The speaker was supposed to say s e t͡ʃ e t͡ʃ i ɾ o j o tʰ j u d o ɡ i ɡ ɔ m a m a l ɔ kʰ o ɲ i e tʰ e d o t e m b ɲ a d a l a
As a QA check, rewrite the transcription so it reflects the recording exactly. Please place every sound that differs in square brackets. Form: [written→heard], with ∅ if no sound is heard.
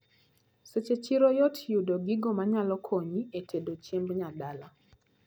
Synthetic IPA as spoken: s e t͡ʃ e t͡ʃ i ɾ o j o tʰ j u d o ɡ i ɡ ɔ m a [m→ɲ] a l ɔ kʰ o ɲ i e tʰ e d o [t→t͡ʃ] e m b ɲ a d a l a